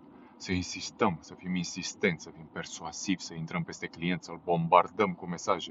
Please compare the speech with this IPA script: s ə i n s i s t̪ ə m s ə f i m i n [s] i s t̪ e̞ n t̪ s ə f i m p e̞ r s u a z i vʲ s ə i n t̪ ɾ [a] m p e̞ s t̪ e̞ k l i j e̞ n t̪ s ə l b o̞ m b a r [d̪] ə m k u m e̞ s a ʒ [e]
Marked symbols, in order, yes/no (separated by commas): yes, no, yes, yes